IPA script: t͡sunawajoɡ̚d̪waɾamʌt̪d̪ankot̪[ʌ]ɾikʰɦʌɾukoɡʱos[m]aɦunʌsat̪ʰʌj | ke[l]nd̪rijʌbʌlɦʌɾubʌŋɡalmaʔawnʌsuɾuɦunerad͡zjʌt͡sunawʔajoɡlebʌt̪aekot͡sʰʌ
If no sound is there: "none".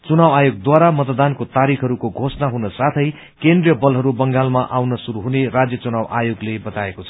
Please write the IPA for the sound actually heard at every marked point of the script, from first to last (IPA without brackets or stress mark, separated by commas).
a, n, none